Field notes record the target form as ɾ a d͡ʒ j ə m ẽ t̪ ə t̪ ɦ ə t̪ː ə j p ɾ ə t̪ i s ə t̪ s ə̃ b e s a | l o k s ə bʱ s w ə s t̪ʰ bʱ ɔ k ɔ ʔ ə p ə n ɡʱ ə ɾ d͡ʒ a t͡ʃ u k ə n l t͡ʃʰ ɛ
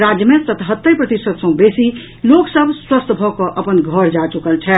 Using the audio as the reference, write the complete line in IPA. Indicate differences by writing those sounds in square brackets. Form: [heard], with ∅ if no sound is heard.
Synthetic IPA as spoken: ɾ a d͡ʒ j ə m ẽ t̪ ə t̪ ɦ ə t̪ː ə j p ɾ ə t̪ i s ə t̪ s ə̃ b e s [i] | l o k s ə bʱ s w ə s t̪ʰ bʱ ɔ k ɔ ʔ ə p ə n ɡʱ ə ɾ d͡ʒ a t͡ʃ u k ə [∅] l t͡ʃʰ ɛ